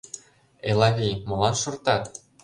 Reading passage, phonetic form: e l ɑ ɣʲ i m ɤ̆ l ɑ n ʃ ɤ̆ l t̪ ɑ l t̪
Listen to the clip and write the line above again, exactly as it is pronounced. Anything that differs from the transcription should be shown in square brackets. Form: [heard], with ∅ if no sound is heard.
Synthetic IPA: e l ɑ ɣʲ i m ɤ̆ l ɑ n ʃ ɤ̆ [r] t̪ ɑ [∅] t̪